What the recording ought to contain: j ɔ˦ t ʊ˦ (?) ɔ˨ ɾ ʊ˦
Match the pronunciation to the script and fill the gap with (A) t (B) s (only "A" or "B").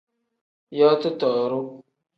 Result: A